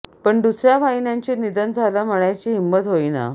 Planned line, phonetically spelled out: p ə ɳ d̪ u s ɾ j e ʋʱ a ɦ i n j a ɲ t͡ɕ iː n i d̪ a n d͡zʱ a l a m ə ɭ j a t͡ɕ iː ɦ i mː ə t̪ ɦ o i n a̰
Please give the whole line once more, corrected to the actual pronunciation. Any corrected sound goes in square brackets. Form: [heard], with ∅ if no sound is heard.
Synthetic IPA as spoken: p ə ɳ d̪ u s ɾ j [a] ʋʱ a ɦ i n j a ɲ t͡ɕ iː n i d̪ [ə] n d͡zʱ a l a m ə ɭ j a t͡ɕ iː ɦ i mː ə t̪ ɦ o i n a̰